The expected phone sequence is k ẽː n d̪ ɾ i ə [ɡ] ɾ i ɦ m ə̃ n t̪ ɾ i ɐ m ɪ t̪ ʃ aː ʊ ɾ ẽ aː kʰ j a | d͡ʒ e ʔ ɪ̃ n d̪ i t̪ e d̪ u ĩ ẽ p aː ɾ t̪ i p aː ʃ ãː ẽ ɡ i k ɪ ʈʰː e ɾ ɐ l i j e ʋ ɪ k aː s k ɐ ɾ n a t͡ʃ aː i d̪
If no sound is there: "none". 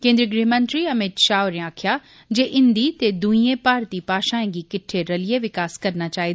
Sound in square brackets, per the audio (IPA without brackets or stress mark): ɡ